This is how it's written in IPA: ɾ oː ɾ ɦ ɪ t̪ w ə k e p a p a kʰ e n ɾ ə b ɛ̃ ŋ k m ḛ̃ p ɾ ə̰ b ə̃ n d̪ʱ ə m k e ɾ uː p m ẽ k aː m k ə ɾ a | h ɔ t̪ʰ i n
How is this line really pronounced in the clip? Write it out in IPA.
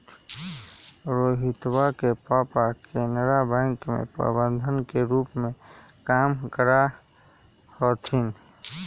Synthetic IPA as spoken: ɾ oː ɦ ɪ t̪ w a k e p a p a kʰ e n ɾ a b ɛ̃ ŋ k m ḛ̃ p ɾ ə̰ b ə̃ n d̪ʱ ə n k e ɾ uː p m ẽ k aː m k ə ɾ a | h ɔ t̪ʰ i n

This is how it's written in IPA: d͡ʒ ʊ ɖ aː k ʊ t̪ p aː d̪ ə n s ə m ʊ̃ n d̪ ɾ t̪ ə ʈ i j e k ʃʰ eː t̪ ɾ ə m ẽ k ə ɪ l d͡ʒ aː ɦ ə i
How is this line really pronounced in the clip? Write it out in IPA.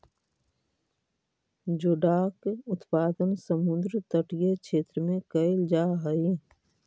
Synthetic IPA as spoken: d͡ʒ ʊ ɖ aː k ʊ t̪ p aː d̪ ə n s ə m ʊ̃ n d̪ ɾ t̪ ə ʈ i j e k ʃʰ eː t̪ ɾ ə m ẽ k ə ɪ l d͡ʒ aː ɦ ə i

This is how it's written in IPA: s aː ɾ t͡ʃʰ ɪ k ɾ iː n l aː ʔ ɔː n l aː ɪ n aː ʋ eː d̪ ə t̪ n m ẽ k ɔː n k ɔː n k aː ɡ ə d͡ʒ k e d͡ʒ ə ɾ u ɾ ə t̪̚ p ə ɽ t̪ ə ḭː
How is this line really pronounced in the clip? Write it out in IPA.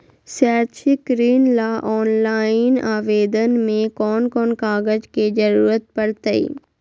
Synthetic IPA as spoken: s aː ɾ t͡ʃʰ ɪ k ɾ iː n l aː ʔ ɔː n l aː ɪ n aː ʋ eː d̪ ə n m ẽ k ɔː n k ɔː n k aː ɡ ə d͡ʒ k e d͡ʒ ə ɾ uː ɾ ə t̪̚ p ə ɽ t̪ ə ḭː

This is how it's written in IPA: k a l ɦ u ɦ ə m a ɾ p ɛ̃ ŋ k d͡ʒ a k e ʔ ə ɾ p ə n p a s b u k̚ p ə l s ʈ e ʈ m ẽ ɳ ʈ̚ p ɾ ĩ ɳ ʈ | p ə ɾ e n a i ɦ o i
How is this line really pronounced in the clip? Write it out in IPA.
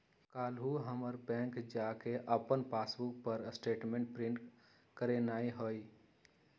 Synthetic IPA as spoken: k a l ɦ u ɦ ə m ə ɾ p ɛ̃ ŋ k d͡ʒ a k e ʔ ə p ə n p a s b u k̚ p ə ɾ s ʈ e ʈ m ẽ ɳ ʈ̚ p ɾ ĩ ɳ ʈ | k ə ɾ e n a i ɦ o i

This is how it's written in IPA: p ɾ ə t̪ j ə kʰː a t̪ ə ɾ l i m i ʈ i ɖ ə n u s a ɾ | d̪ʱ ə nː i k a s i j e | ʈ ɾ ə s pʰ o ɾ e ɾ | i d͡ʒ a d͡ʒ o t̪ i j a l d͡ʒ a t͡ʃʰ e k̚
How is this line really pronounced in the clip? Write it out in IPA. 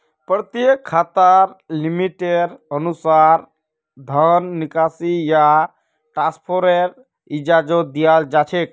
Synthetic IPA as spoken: p ɾ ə t̪ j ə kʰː a t̪ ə ɾ l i m i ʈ e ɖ ə n u s a ɾ | d̪ʱ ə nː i k a s i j a | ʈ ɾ a s pʰ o ɾ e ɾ | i d͡ʒ a d͡ʒ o d̪ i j a l d͡ʒ a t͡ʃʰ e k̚

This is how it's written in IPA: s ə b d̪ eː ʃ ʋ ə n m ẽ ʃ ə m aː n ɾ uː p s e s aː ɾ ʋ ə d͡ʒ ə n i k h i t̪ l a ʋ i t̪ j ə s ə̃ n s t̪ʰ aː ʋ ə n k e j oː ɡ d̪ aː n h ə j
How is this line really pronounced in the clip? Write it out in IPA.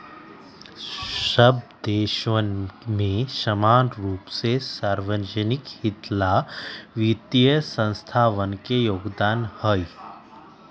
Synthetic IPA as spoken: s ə b d̪ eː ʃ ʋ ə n m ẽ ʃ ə m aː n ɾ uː p s e s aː ɾ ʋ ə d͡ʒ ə n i k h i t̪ l a ʋ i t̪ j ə s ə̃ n s t̪ʰ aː ʋ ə n k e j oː ɡ d̪ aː n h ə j

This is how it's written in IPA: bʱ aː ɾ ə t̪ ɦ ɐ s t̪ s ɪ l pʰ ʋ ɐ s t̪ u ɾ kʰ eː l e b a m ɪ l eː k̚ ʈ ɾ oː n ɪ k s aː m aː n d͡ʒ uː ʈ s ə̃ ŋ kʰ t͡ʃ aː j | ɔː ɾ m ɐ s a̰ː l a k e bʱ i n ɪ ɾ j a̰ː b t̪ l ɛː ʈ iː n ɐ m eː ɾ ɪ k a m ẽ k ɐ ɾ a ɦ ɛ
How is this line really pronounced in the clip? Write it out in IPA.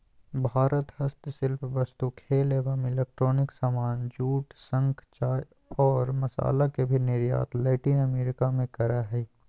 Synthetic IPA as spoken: bʱ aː ɾ ə t̪ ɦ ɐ s t̪ s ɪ l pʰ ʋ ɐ s t̪ u kʰ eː l e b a m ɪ l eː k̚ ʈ ɾ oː n ɪ k s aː m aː n d͡ʒ uː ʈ s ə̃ ŋ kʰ t͡ʃ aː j | ɔː ɾ m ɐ s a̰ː l a k e bʱ i n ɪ ɾ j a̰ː t̪ l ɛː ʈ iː n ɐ m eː ɾ ɪ k a m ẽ k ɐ ɾ a ɦ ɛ

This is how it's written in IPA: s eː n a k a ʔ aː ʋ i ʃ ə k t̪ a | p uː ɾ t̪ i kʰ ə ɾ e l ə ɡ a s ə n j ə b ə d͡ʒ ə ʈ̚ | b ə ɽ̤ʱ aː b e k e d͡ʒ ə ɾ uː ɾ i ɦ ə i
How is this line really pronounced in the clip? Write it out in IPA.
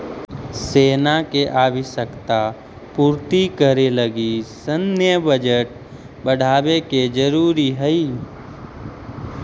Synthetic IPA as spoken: s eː n a k e ʔ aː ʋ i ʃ ə k t̪ a | p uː ɾ t̪ i k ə ɾ e l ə ɡ i s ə n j ə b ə d͡ʒ ə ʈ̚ | b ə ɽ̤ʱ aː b e k e d͡ʒ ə ɾ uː ɾ i ɦ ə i

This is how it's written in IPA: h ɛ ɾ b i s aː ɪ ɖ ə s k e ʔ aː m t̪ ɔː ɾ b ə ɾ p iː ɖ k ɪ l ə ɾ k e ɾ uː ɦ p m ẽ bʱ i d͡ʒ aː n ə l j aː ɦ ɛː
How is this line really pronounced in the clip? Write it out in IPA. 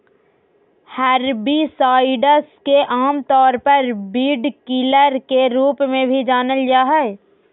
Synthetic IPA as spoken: h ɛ ɾ b i s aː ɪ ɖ ə s k e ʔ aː m t̪ ɔː ɾ p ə ɾ b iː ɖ k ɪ l ə ɾ k e ɾ uː p m ẽ bʱ i d͡ʒ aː n ə l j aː ɦ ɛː

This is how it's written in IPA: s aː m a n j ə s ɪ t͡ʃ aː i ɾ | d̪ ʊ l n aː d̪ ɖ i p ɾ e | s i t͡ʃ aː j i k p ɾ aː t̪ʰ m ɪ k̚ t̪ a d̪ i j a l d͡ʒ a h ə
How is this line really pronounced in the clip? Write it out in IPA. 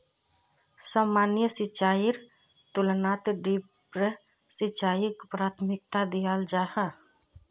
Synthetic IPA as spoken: s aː m a n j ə s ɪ t͡ʃ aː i ɾ | t̪ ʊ l n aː t̪ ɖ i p ɾ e | s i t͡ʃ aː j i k p ɾ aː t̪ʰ m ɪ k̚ t̪ a d̪ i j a l d͡ʒ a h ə

